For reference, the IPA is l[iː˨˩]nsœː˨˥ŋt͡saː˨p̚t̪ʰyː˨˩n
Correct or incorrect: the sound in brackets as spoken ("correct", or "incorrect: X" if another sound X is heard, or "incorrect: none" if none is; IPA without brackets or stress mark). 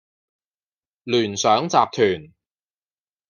incorrect: yː˨˩